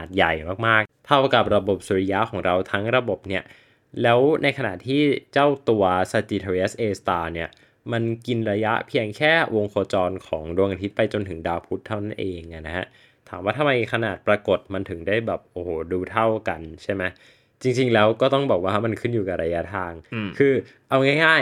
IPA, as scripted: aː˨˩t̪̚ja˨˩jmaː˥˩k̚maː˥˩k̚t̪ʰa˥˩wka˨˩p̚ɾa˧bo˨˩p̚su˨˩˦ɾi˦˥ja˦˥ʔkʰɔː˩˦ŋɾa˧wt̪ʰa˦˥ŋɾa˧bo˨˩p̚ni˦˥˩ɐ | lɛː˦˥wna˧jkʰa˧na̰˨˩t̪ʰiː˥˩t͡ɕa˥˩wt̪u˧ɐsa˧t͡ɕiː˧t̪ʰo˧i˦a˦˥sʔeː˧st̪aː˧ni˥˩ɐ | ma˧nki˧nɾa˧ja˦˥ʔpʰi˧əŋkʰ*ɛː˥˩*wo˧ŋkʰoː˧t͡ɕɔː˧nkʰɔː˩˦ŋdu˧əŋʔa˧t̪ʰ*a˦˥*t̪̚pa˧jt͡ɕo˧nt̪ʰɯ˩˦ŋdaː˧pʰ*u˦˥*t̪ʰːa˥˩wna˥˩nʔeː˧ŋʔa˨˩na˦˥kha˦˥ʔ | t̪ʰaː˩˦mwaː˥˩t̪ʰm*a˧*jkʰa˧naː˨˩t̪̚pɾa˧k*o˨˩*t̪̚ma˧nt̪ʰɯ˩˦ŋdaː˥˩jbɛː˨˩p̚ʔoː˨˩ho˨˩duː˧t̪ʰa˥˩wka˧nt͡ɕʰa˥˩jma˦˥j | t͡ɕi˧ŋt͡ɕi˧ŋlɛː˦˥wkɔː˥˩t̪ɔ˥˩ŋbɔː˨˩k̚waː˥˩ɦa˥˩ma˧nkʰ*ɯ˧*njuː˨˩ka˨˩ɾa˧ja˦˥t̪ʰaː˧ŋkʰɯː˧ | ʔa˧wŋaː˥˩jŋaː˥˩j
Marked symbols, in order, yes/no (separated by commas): yes, no, yes, yes, yes, no